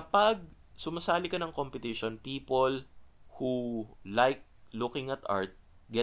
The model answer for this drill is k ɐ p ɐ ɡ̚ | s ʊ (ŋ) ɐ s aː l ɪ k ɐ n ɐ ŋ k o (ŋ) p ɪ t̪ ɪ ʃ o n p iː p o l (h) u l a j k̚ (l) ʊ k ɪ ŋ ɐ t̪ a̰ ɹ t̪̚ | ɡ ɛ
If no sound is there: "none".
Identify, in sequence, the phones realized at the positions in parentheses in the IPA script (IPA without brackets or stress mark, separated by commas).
m, m, h, l